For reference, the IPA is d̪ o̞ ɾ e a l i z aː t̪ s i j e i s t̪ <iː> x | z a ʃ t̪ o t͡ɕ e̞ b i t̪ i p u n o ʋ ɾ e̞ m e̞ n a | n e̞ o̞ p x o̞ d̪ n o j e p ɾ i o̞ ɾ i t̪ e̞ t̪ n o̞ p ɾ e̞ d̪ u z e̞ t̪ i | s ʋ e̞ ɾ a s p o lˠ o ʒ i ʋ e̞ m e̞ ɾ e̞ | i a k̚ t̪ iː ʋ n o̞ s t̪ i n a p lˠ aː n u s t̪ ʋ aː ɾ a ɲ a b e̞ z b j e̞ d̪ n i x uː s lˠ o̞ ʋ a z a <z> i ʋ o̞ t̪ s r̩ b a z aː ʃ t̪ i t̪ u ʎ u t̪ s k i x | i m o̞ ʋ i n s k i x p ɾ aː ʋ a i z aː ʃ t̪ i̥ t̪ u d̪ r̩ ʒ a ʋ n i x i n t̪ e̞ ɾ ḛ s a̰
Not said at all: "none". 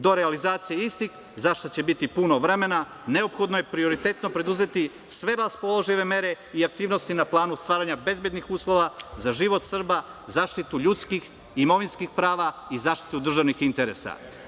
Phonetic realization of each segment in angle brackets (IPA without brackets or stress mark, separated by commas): i, ʒ